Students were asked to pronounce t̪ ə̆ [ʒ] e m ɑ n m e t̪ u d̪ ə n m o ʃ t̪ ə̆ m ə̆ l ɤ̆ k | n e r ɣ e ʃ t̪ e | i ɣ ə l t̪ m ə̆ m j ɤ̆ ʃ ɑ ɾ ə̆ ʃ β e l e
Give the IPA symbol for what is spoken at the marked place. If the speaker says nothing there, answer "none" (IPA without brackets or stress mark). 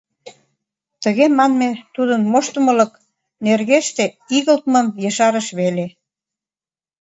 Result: ɣ